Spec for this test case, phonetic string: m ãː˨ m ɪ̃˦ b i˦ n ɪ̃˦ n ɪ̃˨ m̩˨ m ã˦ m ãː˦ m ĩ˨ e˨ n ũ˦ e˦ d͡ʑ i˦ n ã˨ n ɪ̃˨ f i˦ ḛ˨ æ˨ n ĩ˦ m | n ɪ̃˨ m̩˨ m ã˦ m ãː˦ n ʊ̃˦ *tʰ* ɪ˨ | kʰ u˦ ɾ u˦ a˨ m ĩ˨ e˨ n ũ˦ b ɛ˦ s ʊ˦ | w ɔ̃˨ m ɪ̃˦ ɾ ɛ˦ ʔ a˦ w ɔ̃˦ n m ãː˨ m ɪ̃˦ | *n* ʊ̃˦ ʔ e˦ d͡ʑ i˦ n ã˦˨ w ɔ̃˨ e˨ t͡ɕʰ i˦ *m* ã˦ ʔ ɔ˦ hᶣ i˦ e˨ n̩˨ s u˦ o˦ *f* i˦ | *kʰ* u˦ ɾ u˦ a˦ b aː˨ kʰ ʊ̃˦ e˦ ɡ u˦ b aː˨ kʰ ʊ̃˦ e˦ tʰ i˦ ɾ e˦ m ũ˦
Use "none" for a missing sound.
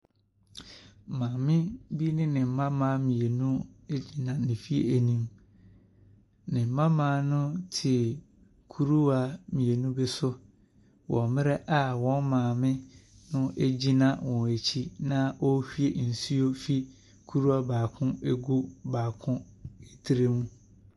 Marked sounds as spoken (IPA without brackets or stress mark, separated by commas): tʰ, n, n, f, kʰ